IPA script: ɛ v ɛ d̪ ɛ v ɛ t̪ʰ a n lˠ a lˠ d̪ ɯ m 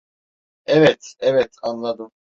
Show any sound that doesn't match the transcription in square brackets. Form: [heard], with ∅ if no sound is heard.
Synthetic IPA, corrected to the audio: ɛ v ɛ [t̪] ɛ v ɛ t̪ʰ a n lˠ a [∅] d̪ ɯ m